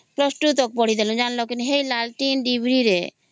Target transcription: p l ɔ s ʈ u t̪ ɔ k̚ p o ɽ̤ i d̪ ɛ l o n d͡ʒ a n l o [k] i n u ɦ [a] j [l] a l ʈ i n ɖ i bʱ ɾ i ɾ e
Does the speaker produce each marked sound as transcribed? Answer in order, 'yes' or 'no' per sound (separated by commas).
yes, no, yes